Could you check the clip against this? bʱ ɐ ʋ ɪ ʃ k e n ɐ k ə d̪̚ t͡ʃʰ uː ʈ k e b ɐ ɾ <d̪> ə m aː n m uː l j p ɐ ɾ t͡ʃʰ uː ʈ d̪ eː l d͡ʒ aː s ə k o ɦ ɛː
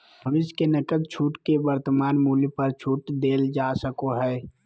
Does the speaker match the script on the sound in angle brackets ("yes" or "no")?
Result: no